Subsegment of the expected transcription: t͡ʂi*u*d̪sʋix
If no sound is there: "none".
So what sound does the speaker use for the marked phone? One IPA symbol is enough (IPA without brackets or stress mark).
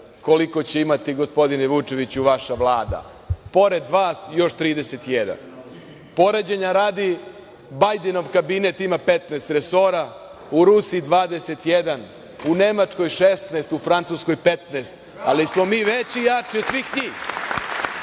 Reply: o